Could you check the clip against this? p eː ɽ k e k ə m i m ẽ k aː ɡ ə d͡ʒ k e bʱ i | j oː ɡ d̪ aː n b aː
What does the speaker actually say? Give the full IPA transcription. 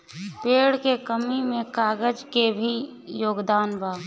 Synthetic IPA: p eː ɽ k e k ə m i m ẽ k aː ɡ ə d͡ʒ k e bʱ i | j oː ɡ d̪ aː n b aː